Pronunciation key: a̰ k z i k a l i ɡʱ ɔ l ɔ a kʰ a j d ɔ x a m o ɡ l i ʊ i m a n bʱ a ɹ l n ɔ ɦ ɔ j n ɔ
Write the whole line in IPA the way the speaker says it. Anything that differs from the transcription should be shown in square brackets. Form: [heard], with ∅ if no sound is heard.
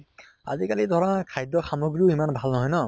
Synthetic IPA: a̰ [∅] z i k a l i [dʱ] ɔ [ɹ] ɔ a kʰ a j d ɔ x a m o ɡ [ɹ] i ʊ i m a n bʱ a [∅] l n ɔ ɦ ɔ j n ɔ